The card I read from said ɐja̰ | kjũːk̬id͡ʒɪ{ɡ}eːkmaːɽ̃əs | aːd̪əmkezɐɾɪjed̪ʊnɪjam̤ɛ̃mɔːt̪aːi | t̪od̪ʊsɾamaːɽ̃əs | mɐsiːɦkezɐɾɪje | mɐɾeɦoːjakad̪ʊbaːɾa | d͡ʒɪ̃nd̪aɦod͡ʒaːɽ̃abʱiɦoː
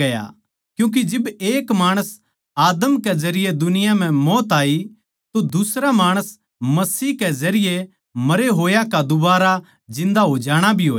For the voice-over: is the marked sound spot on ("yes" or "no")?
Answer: no